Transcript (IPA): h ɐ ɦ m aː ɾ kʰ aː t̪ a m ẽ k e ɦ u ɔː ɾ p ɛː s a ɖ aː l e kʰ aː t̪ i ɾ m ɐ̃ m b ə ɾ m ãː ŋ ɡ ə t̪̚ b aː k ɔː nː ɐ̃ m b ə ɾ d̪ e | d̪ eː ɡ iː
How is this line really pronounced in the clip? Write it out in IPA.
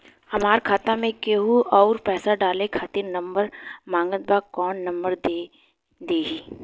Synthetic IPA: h ɐ m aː ɾ kʰ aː t̪ a m ẽ k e ɦ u ɔː ɾ p ɛː s a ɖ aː l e kʰ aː t̪ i ɾ n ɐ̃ m b ə ɾ m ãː ŋ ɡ ə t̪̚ b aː k ɔː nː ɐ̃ m b ə ɾ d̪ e | d̪ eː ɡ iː